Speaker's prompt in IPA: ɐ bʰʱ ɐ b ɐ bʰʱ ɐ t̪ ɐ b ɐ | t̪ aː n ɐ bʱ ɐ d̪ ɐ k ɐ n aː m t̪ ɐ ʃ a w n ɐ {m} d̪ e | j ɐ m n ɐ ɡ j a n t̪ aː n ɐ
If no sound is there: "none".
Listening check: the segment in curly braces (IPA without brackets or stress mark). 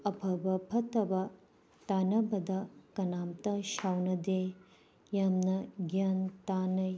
none